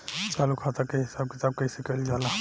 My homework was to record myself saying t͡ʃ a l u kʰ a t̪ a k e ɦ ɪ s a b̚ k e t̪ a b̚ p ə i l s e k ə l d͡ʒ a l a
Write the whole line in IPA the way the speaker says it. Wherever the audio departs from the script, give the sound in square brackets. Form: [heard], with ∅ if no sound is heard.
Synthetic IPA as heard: t͡ʃ a l u kʰ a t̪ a k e ɦ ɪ s a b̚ k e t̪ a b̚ [k] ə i [∅] s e k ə l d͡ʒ a l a